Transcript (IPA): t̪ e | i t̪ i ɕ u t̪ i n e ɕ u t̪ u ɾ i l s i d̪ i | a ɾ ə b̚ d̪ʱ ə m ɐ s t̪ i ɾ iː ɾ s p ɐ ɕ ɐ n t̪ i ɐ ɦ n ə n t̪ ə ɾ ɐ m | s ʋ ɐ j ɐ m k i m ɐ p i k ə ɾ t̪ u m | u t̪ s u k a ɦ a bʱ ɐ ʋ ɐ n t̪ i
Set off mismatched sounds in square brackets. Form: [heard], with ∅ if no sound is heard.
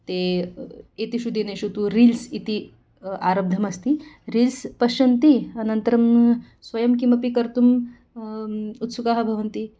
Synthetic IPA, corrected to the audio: t̪ e | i t̪ i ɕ u [d̪] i n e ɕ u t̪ u ɾ i l s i [t̪] i | a ɾ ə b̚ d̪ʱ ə m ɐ s t̪ i ɾ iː [l] s p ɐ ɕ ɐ n t̪ i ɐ [∅] n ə n t̪ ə ɾ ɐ m | s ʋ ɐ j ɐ m k i m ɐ p i k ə ɾ t̪ u m | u t̪ s u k a ɦ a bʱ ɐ ʋ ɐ n t̪ i